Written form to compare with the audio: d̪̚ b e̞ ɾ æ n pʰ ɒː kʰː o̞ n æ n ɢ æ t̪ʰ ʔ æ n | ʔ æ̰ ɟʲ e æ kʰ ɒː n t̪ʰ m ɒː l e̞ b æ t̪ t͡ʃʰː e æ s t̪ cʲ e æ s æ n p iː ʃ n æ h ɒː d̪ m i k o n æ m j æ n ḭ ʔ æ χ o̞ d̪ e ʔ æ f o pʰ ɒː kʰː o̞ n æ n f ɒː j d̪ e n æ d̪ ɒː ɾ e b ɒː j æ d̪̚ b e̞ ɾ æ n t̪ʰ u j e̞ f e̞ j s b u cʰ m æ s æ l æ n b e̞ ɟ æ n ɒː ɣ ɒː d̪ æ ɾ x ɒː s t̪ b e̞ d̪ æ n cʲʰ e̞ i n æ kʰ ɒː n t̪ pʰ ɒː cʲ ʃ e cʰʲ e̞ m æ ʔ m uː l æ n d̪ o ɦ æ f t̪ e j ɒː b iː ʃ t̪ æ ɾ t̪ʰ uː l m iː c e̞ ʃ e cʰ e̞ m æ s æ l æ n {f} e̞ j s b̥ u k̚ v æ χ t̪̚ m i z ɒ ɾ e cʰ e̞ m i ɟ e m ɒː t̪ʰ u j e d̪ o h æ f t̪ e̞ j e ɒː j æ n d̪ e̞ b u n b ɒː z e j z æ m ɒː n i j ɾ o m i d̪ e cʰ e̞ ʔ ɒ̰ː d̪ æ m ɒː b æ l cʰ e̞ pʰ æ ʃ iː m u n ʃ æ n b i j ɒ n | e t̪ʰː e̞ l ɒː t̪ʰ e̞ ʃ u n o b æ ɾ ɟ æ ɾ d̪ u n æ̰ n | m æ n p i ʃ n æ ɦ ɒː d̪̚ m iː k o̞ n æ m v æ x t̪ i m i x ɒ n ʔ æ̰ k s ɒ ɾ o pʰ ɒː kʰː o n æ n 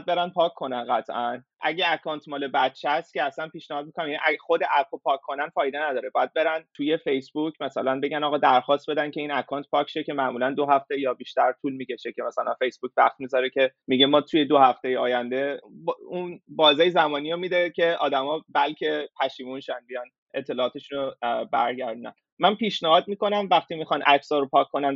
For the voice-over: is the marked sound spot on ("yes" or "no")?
yes